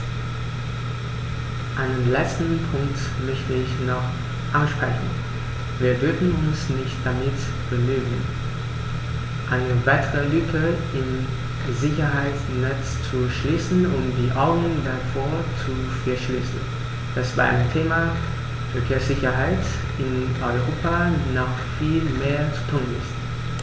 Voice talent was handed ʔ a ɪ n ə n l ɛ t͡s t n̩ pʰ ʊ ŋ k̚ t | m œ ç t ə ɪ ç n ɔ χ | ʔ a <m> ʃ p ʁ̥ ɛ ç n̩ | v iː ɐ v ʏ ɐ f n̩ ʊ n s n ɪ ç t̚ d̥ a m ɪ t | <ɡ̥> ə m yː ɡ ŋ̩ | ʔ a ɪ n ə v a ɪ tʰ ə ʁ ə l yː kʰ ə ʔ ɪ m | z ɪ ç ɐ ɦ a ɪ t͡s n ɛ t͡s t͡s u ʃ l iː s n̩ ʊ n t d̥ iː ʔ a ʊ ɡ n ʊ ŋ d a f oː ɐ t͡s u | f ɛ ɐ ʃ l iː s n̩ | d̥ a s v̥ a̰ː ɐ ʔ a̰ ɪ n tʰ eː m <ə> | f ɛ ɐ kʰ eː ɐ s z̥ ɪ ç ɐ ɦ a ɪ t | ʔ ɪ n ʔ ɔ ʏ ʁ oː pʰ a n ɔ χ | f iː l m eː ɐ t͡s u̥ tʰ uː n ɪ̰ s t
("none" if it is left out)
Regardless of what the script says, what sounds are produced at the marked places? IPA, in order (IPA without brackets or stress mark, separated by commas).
n, b̥, a